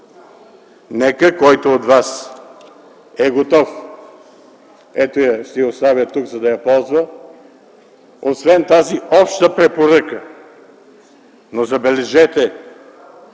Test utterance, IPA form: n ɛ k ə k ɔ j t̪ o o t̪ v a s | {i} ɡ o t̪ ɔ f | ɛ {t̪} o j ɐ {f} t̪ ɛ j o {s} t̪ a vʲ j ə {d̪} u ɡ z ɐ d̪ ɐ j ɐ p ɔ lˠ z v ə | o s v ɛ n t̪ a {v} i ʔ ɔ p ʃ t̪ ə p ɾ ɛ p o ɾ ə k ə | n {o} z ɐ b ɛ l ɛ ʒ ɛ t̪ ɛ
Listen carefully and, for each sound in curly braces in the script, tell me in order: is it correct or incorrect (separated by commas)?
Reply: incorrect, correct, incorrect, correct, incorrect, incorrect, correct